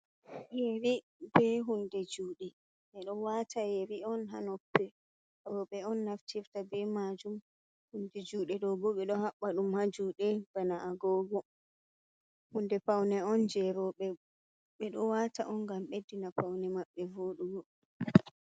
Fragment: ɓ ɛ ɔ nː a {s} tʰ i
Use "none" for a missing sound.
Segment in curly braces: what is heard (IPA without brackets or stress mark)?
f